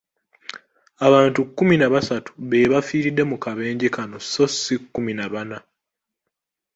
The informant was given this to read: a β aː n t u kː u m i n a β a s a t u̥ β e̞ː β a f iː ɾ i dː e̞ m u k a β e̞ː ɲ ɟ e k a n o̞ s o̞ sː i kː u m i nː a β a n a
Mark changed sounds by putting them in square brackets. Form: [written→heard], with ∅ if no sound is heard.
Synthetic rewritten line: a β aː n t u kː u m i n a β a s a t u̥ β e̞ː β a f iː ɾ i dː e̞ m u k a β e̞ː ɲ ɟ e k a n o̞ s o̞ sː i kː u m i [nː→n] a β a n a